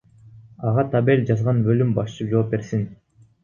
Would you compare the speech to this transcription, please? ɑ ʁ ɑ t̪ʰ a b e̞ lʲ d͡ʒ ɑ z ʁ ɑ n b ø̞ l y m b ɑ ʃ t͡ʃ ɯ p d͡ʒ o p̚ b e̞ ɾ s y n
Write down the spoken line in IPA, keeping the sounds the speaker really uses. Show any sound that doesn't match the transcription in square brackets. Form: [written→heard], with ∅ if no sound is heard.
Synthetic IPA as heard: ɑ ʁ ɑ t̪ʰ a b e̞ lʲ d͡ʒ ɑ z ʁ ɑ n b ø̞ l y m b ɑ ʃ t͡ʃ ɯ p d͡ʒ o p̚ b e̞ ɾ s [y→i] n